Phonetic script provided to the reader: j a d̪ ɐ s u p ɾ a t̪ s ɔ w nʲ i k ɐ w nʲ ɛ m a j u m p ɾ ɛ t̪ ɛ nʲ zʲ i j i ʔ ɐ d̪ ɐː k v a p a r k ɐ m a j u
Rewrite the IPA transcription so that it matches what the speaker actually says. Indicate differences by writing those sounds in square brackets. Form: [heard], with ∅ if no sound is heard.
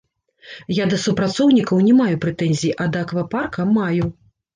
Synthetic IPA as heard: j a d̪ ɐ s u p ɾ a t̪ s ɔ w nʲ i k ɐ w nʲ ɛ m a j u [∅] p ɾ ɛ t̪ ɛ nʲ zʲ i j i ʔ ɐ d̪ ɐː k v a p a r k ɐ m a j u